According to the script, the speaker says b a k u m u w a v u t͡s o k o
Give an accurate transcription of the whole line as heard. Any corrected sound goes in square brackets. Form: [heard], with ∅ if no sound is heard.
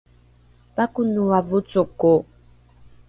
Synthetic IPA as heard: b a k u [n] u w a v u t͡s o k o

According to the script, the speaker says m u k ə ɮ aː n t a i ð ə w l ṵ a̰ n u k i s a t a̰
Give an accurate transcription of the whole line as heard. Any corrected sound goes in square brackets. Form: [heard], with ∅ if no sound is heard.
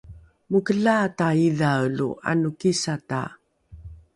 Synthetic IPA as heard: m u k ə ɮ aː [∅] t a i ð [a] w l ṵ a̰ n u k i s a t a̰

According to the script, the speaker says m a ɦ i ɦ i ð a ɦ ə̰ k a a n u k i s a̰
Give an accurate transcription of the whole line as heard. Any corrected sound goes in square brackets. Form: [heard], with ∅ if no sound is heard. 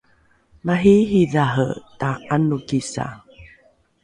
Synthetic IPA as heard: m a ɦ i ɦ i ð a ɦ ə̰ [t] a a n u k i s a̰

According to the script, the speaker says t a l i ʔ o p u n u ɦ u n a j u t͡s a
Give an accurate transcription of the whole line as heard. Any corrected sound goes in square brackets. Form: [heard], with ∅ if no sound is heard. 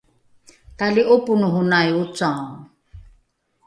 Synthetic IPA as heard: t a l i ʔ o p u n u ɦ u n a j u t͡s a

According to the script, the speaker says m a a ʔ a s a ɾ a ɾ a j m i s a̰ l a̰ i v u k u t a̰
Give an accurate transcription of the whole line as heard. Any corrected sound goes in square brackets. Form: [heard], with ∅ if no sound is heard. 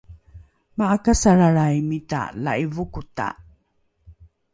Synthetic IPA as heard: m a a [k] a s a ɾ a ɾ a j m i [t] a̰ l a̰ i v u k u t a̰

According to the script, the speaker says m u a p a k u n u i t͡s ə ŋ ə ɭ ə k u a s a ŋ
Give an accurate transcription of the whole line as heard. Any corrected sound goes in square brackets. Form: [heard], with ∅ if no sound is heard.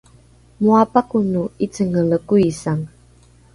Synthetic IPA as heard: m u a p a k u n u i t͡s ə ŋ ə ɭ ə k u [i] s a ŋ

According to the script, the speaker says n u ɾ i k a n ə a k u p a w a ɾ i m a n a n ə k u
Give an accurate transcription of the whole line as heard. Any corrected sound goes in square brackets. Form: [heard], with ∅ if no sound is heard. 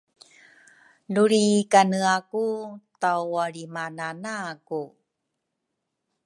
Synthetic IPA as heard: n u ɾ i k a n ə a k u [t] a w a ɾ i m a n a n [a] k u

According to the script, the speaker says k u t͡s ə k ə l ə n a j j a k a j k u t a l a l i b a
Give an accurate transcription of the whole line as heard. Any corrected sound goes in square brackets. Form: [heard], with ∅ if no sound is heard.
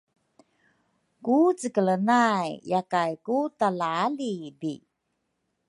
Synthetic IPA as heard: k u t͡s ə k ə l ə n a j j a k a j k u t a l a l i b [i]

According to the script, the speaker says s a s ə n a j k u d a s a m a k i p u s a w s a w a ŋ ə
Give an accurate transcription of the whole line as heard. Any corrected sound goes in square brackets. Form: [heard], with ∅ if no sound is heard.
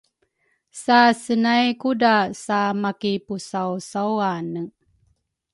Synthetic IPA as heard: s a s ə n a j k u d a s a m a k i p u s a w s a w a [n] ə

